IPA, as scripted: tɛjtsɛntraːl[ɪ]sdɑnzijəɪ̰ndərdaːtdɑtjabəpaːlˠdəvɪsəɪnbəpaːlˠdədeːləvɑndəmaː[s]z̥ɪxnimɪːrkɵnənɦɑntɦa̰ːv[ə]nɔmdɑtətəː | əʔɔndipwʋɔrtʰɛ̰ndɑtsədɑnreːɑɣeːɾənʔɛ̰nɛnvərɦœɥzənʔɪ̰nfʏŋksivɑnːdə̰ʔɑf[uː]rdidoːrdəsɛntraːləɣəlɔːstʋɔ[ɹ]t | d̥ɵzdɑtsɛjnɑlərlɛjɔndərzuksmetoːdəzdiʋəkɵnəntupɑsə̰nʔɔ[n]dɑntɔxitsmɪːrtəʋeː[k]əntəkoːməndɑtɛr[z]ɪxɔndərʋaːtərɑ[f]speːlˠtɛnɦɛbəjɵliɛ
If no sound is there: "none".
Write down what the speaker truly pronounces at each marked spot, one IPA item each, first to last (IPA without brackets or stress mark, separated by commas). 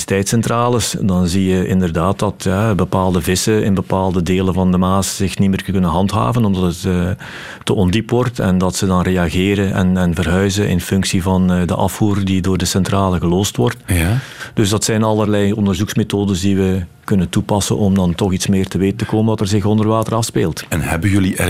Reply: ɪ, s, ə, uː, r, m, t, z, f